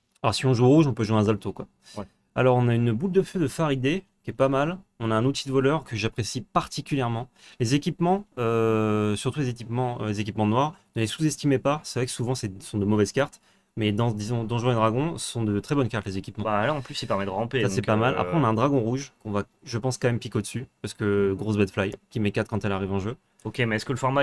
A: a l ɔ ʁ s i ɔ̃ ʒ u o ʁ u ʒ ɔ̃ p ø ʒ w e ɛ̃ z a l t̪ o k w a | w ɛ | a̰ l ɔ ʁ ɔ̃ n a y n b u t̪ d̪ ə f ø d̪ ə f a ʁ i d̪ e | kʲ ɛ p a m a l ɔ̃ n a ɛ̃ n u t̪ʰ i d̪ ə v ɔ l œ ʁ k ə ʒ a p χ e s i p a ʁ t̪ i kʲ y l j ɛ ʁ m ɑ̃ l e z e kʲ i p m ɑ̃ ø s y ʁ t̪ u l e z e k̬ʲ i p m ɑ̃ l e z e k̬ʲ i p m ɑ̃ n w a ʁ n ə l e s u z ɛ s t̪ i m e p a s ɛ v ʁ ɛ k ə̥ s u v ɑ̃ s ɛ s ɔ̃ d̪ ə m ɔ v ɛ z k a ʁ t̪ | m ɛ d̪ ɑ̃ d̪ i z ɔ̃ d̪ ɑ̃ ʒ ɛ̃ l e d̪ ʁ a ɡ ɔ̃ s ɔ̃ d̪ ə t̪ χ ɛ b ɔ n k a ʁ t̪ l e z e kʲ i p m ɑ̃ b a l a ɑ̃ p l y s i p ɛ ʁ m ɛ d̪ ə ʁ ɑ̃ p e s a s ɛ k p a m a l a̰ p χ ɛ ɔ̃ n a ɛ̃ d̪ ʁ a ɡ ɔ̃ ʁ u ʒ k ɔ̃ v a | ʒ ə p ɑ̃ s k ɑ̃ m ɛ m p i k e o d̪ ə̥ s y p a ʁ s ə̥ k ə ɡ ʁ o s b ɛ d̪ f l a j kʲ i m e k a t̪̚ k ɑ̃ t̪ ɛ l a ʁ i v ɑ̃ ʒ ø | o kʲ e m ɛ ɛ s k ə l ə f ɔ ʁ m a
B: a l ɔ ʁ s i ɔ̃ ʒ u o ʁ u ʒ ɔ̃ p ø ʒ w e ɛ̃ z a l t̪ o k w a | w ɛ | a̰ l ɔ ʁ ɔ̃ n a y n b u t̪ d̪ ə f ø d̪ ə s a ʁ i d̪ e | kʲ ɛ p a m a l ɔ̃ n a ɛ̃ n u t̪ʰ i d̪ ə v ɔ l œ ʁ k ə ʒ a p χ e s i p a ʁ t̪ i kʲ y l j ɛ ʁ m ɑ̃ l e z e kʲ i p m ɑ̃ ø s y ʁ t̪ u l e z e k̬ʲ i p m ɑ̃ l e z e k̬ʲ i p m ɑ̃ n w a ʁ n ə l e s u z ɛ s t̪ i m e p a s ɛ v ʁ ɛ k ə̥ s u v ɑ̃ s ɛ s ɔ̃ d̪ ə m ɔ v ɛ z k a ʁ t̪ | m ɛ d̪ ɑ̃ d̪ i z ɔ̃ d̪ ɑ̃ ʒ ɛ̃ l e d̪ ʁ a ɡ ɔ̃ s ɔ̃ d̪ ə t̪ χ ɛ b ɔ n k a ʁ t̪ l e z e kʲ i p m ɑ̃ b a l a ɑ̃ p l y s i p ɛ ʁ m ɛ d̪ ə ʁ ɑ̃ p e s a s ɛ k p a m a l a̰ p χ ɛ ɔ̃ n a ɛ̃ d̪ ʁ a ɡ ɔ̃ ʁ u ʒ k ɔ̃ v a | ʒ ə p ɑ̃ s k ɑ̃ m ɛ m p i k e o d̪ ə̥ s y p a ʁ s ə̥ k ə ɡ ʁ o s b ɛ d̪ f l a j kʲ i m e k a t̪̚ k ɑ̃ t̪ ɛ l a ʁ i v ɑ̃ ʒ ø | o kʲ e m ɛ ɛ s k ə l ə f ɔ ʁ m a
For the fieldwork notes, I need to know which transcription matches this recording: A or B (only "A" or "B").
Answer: A